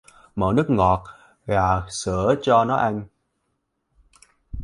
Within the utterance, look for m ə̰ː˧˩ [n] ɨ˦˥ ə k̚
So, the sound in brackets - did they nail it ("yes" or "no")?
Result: yes